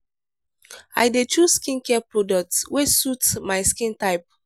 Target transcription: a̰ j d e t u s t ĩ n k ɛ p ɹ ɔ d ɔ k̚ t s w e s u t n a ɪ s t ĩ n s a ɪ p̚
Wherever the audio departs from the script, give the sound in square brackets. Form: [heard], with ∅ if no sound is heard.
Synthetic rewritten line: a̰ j d e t u s [k] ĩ n k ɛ p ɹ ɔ d ɔ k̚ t s w e s u t [m] a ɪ s [k] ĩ n [t] a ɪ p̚